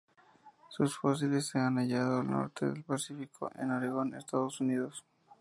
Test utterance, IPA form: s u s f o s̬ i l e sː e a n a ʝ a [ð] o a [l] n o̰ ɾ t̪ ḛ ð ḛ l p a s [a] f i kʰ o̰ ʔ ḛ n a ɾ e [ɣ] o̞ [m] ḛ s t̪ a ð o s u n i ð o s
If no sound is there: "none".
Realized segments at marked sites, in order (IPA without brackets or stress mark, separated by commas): ð, l, i, ɣ, n